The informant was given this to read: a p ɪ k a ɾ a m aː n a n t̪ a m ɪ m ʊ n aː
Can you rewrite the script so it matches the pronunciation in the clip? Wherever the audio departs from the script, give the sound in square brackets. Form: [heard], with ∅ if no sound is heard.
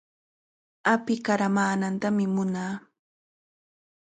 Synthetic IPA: a p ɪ k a ɾ a m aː n a n t̪ a m ɪ m ʊ n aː